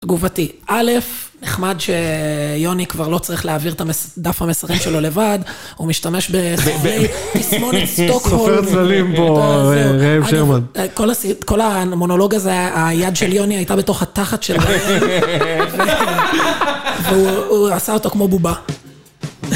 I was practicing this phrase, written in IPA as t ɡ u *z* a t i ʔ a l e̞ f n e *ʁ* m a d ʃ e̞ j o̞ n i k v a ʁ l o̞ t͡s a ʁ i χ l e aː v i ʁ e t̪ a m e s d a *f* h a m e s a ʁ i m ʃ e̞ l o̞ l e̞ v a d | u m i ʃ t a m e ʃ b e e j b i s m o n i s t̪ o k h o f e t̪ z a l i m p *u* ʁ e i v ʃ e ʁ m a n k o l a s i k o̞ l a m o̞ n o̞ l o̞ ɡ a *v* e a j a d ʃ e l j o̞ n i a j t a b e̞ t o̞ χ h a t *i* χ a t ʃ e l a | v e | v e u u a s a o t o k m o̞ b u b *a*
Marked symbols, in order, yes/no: no, no, yes, no, no, no, yes

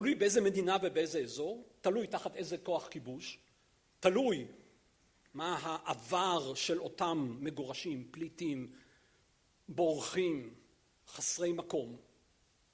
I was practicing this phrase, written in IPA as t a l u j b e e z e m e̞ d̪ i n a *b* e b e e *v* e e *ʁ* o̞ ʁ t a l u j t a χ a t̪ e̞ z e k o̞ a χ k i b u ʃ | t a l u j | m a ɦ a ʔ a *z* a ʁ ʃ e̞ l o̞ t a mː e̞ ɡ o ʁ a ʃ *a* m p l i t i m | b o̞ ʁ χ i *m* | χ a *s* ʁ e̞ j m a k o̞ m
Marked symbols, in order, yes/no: no, no, no, no, no, yes, yes

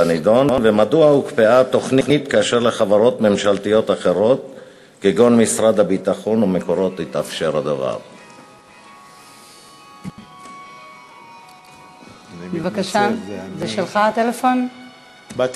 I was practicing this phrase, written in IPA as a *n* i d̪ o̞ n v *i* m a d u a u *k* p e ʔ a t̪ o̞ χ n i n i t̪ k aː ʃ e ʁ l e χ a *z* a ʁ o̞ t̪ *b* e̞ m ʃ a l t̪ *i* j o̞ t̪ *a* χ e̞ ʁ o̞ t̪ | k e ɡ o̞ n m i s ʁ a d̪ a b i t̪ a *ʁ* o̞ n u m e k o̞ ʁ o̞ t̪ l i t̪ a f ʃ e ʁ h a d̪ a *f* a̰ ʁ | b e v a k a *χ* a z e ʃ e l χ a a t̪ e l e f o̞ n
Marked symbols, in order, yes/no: yes, no, yes, no, no, yes, yes, no, no, no

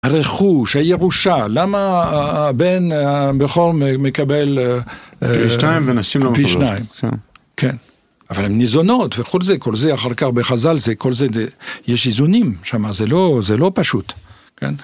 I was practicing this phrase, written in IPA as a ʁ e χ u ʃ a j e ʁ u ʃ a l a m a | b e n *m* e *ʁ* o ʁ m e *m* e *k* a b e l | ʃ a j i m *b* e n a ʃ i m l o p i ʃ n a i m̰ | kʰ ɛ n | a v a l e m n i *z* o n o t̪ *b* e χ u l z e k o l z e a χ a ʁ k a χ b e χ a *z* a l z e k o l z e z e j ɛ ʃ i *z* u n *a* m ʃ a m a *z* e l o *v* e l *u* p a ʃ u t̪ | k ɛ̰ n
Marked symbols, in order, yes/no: no, no, yes, yes, no, yes, no, yes, yes, no, yes, no, no

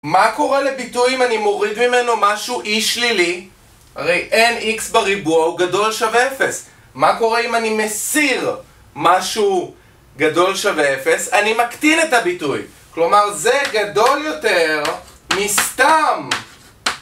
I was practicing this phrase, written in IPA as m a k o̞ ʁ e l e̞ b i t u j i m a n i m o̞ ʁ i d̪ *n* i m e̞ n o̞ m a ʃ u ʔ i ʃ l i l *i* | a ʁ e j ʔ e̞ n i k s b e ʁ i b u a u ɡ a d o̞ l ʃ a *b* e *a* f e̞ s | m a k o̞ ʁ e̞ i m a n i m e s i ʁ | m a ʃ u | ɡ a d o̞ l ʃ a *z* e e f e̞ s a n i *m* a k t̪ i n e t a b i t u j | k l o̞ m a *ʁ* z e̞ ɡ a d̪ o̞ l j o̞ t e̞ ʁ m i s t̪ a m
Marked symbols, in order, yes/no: no, yes, no, no, no, yes, yes

